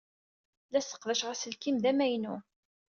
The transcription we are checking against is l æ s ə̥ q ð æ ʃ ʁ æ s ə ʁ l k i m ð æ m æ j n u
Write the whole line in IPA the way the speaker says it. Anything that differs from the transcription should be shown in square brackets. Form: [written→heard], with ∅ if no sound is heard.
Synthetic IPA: l æ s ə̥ q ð æ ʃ ʁ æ s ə [ʁ→∅] l k i m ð æ m æ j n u